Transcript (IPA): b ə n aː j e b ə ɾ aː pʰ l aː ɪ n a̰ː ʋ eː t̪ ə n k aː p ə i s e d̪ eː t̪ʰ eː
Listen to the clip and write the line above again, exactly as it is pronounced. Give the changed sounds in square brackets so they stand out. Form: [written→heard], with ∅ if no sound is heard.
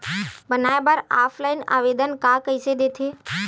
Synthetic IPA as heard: b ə n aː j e b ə ɾ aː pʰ l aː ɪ n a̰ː ʋ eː [t̪→d̪] ə n k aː [p→k] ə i s e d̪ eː t̪ʰ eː